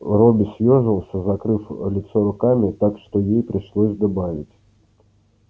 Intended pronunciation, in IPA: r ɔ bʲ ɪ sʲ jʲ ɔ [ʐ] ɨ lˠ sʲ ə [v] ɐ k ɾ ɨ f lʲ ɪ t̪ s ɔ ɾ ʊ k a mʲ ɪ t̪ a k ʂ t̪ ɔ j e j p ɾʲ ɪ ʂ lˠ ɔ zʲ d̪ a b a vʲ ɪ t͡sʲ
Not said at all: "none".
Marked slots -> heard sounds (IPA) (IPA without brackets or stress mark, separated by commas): ʐ, z